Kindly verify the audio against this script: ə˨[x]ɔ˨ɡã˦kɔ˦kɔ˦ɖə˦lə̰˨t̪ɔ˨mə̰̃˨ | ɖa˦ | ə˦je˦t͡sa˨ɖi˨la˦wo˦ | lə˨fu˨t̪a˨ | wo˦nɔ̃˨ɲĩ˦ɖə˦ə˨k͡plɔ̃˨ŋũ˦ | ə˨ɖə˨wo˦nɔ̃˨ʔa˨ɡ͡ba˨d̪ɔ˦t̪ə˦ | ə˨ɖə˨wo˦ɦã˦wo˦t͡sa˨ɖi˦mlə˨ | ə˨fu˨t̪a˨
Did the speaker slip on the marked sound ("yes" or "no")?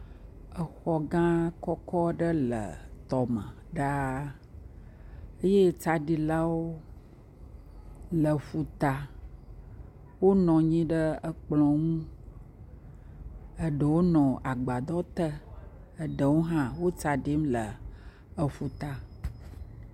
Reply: no